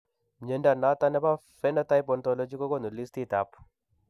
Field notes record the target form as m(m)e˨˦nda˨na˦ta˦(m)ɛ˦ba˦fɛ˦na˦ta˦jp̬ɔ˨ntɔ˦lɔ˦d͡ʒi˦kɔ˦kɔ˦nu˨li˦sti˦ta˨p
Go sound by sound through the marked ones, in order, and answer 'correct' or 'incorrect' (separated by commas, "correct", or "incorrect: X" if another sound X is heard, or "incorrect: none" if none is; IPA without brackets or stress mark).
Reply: incorrect: ɲ, incorrect: n